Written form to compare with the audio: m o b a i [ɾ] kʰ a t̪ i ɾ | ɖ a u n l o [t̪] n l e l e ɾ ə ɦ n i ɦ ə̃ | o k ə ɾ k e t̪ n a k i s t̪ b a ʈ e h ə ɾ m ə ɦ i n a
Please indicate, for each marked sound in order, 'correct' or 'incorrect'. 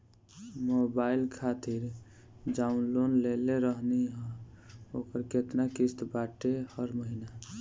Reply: incorrect: l, incorrect: none

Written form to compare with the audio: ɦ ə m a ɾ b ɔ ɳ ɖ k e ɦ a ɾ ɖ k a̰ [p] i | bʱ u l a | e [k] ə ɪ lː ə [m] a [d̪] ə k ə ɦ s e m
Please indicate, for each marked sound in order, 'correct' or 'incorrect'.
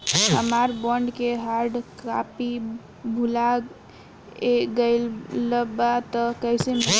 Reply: correct, incorrect: ɡ, incorrect: b, incorrect: t̪

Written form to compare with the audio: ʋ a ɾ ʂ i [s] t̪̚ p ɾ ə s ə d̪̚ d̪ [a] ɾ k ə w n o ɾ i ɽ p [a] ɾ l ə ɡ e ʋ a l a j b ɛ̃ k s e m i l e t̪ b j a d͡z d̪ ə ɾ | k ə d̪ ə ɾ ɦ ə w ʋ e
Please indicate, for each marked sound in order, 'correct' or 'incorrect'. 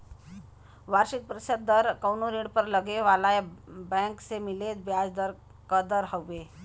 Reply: incorrect: none, incorrect: ə, incorrect: ə

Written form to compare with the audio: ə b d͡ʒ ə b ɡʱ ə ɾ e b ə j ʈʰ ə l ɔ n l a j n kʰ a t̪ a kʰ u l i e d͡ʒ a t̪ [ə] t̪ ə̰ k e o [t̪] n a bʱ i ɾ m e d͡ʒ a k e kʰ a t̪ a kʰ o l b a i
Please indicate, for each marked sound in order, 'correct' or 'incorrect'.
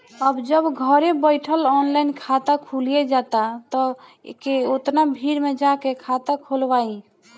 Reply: incorrect: a, correct

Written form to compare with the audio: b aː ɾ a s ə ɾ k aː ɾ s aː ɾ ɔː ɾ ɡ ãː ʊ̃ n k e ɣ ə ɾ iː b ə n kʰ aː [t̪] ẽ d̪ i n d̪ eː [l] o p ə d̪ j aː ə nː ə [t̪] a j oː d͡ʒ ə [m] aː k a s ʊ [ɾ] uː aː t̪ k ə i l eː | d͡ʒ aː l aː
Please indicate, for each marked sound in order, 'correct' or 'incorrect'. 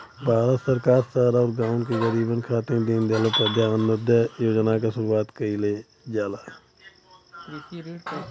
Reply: correct, correct, incorrect: d̪, incorrect: n, correct

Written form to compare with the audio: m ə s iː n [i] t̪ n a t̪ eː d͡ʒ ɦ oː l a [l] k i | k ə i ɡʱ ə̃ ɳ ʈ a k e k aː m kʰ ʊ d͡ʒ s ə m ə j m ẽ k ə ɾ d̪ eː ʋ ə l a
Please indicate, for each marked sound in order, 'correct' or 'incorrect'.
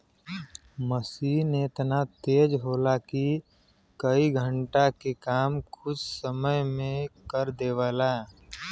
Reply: incorrect: e, incorrect: none

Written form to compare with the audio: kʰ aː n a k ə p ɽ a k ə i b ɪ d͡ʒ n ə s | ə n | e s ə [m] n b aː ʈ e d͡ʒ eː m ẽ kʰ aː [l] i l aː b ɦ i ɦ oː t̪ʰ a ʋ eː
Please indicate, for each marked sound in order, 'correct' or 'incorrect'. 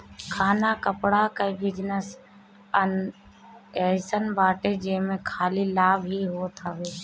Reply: incorrect: none, correct

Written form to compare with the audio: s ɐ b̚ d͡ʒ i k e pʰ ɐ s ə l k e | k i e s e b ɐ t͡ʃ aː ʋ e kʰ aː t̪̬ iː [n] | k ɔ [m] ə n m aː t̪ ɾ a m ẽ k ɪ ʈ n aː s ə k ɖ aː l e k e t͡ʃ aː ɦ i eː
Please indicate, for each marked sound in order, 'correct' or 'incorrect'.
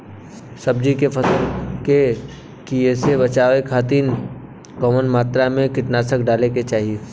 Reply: correct, correct

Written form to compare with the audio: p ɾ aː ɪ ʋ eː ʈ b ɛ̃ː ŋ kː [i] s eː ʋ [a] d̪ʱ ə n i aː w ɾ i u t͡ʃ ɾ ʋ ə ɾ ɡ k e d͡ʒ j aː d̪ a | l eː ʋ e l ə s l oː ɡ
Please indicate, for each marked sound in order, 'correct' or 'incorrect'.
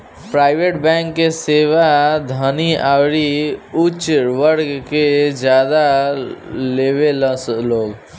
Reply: incorrect: e, correct

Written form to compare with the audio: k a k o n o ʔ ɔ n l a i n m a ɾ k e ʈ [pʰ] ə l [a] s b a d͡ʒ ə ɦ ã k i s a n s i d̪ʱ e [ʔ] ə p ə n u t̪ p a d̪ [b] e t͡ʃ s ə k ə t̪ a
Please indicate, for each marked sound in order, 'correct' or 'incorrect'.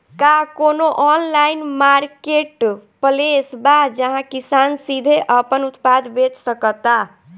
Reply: incorrect: p, incorrect: e, correct, correct

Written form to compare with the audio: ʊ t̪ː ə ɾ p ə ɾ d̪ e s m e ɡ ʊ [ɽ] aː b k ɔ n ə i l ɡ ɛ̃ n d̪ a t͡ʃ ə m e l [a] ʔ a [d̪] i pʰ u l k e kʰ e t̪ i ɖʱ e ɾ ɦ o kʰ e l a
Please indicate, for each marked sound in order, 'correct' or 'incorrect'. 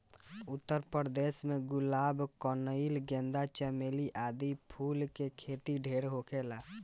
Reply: incorrect: l, incorrect: i, correct

